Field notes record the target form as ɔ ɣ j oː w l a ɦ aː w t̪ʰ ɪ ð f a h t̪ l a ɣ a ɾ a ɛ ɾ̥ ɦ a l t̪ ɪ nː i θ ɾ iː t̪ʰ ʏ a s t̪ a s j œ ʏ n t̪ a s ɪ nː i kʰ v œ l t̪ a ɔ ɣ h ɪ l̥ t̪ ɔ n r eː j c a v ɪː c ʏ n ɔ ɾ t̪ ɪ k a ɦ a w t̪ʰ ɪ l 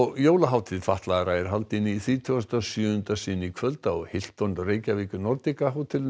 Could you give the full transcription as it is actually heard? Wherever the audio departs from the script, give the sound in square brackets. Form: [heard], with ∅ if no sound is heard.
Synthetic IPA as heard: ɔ ɣ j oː w l a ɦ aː w t̪ʰ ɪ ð f a h t̪ l a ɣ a ɾ a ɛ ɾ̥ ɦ a l t̪ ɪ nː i θ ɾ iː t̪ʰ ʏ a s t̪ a s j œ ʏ n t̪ a s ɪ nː i kʰ v œ l t̪ a ɔ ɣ h ɪ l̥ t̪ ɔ n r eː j c a v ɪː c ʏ n ɔ ɾ t̪ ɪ k a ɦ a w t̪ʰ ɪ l